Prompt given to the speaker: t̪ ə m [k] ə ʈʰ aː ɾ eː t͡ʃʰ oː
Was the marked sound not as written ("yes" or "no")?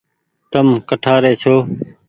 no